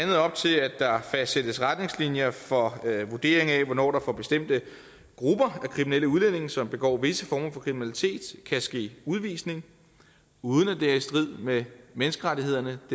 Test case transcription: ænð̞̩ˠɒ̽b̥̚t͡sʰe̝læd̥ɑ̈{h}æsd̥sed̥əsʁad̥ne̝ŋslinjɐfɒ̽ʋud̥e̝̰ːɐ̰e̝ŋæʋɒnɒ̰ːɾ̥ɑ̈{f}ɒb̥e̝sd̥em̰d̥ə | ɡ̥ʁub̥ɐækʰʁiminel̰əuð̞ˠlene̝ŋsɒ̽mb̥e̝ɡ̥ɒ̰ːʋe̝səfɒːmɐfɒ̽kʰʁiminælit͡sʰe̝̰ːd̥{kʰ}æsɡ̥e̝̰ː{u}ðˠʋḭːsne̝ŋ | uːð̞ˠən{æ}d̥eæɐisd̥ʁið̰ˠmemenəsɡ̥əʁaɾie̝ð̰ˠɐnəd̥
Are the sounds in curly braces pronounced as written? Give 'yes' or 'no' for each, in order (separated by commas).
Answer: no, yes, yes, yes, yes